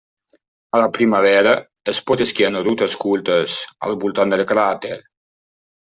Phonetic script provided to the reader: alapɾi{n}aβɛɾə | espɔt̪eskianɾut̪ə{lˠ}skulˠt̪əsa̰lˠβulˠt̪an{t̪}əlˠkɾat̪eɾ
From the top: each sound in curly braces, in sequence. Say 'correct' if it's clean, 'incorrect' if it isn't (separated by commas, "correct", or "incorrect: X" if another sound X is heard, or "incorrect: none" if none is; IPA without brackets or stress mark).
incorrect: m, incorrect: none, incorrect: d̪